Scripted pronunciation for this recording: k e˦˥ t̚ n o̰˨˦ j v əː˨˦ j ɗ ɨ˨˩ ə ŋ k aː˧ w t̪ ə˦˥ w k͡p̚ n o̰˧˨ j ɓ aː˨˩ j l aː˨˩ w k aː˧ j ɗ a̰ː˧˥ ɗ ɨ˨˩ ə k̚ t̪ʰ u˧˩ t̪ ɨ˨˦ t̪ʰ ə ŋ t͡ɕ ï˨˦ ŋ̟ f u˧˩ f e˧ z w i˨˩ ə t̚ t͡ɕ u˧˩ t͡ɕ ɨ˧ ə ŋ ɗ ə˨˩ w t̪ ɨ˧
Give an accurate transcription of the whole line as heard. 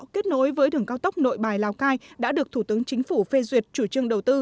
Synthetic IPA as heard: k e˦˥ t̚ n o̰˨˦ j v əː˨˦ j ɗ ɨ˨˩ ə ŋ k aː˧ w t̪ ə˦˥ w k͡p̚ n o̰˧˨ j ɓ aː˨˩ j l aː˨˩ w k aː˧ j ɗ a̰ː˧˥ ɗ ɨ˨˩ ə k̚ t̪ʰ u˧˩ t̪ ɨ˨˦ ə ŋ t͡ɕ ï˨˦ ŋ̟ f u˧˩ f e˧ z w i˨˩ ə t̚ t͡ɕ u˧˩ t͡ɕ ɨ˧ ə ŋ ɗ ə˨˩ w t̪ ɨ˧